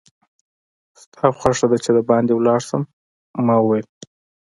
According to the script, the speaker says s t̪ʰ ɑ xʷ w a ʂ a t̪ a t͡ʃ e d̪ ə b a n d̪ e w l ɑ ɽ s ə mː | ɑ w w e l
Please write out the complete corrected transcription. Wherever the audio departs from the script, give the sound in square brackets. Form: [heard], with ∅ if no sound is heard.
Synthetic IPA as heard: s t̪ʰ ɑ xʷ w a ʂ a [d̪] a t͡ʃ e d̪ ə b [ɑ] n d̪ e w l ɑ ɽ s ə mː | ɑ w w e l